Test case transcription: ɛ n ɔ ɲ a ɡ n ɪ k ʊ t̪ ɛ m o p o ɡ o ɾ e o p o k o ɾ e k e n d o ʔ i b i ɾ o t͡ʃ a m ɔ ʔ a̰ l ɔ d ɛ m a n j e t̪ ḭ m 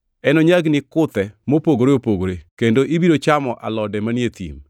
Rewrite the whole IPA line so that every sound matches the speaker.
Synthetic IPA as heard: ɛ n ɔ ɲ a ɡ n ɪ k ʊ t̪ ɛ m o p o ɡ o ɾ e o p o ɡ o ɾ e k e n d o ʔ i b i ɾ o t͡ʃ a m ɔ ʔ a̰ l ɔ d ɛ m a n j e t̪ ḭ m